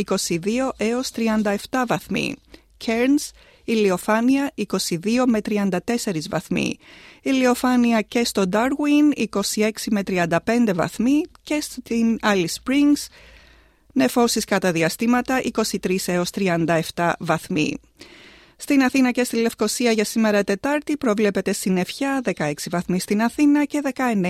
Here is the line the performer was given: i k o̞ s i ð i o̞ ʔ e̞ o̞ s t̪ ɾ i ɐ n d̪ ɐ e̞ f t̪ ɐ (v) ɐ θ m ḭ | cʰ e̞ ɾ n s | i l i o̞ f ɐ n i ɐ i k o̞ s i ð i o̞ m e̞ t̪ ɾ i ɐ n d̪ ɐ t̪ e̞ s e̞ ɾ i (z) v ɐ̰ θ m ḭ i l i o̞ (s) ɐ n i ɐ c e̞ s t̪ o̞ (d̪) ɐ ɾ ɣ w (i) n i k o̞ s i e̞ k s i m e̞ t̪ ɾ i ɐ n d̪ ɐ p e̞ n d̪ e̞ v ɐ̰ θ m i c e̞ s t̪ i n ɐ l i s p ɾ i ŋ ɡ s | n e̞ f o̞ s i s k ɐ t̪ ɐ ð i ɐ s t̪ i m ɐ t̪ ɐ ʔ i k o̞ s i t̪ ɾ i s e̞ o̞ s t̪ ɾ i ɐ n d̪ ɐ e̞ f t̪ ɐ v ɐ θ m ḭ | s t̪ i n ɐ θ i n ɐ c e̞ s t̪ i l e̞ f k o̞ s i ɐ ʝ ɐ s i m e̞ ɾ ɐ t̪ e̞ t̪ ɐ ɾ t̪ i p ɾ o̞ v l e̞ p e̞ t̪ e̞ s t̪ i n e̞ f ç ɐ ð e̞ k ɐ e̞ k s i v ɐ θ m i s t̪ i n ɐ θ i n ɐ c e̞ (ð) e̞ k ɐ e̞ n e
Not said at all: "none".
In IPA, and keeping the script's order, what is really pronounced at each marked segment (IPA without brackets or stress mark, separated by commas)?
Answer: v, z, f, d̪, i, ð